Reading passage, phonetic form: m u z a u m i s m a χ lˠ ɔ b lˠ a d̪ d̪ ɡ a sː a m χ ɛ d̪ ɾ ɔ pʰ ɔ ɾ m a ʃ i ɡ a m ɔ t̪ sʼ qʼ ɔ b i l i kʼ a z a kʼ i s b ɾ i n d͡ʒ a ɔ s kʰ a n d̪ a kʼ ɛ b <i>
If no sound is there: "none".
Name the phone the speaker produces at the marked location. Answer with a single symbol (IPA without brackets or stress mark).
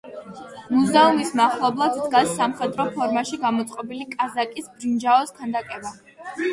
a